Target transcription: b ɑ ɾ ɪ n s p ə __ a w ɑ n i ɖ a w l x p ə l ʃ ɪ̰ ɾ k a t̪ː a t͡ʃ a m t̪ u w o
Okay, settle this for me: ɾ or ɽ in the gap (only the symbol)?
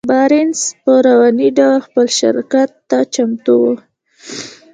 ɾ